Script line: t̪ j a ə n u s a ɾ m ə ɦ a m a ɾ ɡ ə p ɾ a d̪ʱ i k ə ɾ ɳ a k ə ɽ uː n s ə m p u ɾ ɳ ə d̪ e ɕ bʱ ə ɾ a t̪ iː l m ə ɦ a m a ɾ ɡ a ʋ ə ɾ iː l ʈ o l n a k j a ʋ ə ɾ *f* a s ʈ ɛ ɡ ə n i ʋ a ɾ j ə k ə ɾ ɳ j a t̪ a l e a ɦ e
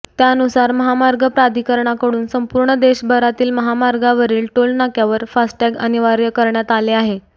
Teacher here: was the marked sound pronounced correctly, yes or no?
yes